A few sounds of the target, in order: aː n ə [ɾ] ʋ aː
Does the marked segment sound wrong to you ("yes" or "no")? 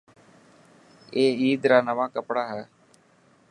yes